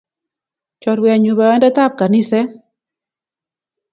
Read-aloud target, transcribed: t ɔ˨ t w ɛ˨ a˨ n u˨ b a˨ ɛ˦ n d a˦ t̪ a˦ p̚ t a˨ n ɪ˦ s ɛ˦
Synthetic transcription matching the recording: t͡ʃ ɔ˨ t w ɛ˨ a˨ ɲ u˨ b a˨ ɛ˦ n d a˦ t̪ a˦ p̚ k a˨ n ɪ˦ s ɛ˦